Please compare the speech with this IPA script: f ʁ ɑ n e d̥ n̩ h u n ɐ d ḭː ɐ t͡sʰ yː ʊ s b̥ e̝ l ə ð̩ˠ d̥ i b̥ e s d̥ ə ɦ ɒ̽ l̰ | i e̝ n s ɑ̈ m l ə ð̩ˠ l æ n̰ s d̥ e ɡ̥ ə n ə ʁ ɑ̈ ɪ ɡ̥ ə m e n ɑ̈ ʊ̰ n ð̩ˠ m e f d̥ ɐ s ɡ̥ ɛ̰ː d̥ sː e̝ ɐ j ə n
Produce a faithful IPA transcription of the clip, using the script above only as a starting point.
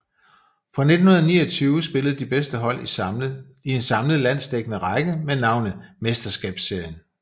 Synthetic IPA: f ʁ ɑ n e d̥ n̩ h u n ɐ n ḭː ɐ t͡sʰ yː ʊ s b̥ e̝ l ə ð̩ˠ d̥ i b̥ e s d̥ ə ɦ ɒ̽ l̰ | i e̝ n s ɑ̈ m l ə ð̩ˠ l æ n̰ s d̥ e ɡ̥ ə n ə ʁ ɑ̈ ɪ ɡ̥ ə m e n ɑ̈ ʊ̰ n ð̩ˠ m e s d̥ ɐ s ɡ̥ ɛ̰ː b̥ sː e̝ ɐ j ə n